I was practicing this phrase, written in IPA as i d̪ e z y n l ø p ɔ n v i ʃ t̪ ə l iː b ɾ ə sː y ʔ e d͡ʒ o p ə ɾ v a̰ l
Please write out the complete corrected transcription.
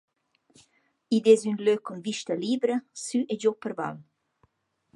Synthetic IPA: i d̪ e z y n l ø k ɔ n v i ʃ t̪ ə l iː b ɾ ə s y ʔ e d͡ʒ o p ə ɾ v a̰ l